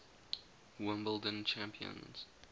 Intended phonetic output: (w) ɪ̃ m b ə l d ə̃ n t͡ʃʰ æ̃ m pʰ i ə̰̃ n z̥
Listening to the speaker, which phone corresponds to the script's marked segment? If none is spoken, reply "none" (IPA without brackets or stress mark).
w